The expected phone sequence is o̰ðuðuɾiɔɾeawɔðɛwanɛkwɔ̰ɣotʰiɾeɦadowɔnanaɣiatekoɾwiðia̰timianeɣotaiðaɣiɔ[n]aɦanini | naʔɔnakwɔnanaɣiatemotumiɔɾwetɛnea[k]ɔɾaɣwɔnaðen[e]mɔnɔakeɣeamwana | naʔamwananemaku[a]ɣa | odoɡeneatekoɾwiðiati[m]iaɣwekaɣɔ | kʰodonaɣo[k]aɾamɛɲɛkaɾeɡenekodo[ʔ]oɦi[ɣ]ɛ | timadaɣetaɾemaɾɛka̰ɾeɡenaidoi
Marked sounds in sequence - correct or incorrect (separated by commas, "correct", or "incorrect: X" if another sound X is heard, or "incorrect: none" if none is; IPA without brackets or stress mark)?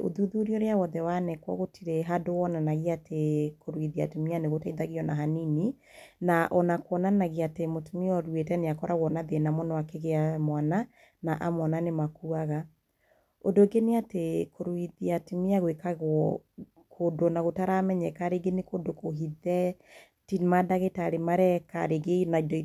correct, correct, incorrect: a, correct, correct, incorrect: t, incorrect: k, incorrect: ð